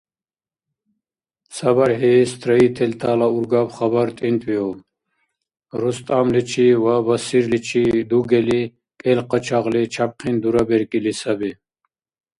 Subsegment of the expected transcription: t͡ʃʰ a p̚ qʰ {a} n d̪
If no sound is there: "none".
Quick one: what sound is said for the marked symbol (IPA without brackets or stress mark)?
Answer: i